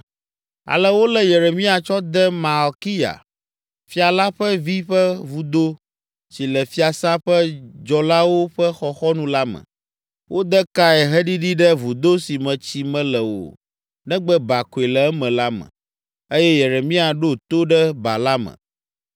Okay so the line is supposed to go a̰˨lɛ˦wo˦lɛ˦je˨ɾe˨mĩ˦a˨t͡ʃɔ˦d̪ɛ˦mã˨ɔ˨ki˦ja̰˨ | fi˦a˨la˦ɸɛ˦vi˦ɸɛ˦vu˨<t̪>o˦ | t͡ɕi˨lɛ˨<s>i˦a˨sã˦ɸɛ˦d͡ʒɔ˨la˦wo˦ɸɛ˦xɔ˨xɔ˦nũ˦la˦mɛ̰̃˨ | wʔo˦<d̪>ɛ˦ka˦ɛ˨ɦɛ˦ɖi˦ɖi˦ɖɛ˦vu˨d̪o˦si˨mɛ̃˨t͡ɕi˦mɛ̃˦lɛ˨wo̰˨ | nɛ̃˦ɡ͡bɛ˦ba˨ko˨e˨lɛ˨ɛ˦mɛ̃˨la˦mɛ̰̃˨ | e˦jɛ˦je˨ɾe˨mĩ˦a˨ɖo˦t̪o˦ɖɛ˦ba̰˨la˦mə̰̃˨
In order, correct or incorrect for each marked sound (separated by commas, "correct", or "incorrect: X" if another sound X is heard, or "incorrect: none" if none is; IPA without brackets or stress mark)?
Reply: incorrect: d̪, incorrect: f, correct